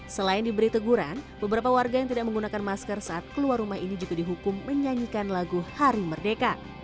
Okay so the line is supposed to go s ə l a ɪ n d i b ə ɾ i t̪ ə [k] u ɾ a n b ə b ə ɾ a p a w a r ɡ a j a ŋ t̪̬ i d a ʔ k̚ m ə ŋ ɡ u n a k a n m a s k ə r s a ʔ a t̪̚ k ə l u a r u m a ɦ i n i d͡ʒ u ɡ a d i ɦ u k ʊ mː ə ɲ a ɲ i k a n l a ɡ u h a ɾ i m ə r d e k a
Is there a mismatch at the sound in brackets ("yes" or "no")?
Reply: yes